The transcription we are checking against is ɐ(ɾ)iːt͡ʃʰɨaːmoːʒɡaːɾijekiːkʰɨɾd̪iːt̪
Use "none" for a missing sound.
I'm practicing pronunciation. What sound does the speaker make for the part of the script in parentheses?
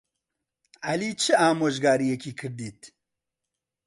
l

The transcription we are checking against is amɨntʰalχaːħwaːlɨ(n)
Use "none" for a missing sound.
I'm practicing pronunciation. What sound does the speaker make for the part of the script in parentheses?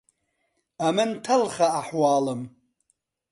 m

